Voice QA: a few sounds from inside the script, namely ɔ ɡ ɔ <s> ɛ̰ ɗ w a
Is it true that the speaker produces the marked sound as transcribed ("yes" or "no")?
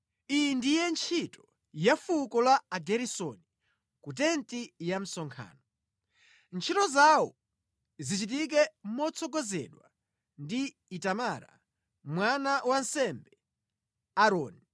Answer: no